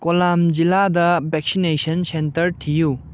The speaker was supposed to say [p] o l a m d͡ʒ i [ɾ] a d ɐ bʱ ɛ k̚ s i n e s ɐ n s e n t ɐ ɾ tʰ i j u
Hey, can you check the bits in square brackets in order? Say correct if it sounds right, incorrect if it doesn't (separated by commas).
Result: incorrect, incorrect